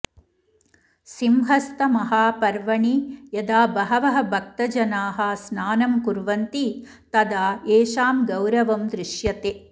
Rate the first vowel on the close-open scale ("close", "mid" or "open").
close